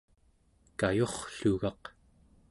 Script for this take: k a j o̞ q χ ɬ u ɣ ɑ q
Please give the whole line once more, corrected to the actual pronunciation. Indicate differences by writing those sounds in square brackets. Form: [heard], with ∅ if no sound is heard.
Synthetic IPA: k a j o̞ [∅] χ ɬ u ɣ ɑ q